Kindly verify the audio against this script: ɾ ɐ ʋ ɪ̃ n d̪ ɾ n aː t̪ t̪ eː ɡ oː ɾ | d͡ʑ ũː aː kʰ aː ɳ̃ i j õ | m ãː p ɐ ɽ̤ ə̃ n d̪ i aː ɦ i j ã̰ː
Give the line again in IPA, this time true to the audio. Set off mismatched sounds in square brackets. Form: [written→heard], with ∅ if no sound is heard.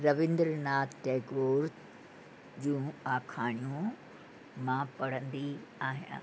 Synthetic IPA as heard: ɾ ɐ ʋ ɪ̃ n d̪ ɾ n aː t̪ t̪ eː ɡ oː ɾ | d͡ʑ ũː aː kʰ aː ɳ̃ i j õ | m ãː p ɐ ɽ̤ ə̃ n d̪ i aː ɦ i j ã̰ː